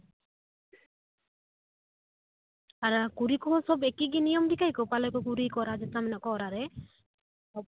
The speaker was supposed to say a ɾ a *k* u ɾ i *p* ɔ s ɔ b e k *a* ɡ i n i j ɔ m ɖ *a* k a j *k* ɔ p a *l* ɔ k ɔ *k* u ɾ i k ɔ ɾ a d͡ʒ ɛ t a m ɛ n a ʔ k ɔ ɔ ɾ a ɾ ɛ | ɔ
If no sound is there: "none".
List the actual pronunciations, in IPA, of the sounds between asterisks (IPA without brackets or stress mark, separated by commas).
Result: k, k, i, i, k, l, k